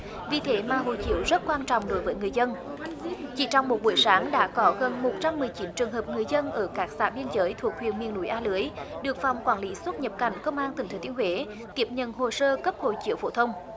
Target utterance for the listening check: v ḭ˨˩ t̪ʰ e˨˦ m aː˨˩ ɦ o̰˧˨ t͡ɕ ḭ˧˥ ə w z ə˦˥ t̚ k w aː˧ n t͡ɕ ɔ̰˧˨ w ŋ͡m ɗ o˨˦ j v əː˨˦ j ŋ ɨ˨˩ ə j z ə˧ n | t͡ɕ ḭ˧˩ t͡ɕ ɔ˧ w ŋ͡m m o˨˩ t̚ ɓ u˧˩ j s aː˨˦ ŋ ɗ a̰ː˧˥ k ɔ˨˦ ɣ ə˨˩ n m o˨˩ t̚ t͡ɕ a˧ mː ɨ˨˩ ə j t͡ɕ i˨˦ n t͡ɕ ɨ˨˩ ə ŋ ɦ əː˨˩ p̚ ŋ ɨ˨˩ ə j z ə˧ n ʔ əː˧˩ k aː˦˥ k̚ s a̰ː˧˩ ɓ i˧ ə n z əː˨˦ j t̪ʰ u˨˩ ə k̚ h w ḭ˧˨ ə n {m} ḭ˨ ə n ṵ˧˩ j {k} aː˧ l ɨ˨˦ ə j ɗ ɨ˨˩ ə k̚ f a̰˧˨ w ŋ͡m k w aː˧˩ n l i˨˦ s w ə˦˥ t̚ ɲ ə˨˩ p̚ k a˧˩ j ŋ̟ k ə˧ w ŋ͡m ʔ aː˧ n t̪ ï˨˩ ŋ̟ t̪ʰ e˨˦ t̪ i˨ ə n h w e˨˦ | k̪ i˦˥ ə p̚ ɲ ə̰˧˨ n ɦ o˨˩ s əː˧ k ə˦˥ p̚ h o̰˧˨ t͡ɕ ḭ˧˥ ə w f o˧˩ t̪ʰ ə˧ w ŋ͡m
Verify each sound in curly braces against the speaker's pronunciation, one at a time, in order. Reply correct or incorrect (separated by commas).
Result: correct, incorrect